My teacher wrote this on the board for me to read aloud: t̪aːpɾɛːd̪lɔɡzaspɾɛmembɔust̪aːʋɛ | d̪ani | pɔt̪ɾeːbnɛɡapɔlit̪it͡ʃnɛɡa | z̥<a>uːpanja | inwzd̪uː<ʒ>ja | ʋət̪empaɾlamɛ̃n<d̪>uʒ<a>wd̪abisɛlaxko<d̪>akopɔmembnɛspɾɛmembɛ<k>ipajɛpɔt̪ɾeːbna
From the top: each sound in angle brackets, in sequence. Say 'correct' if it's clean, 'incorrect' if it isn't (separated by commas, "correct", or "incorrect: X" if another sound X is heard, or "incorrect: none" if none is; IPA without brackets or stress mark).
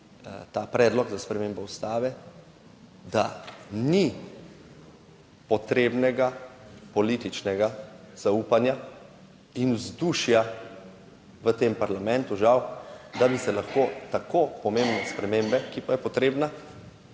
correct, incorrect: ʃ, incorrect: t̪, correct, incorrect: t̪, correct